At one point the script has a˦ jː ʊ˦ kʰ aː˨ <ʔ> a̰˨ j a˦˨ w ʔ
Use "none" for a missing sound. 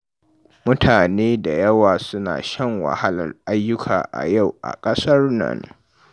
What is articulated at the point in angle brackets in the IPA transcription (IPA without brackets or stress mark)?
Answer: ʔ